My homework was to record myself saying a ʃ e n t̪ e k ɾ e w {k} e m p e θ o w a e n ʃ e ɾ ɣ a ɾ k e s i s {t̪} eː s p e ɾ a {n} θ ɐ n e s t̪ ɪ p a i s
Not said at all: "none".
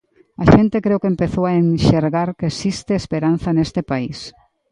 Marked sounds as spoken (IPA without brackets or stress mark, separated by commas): k, t̪, n